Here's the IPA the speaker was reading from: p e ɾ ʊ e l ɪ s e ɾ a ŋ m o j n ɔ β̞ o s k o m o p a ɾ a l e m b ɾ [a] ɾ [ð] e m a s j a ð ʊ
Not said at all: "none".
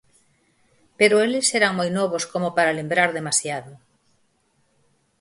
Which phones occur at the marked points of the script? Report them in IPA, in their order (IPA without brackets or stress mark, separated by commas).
a, ð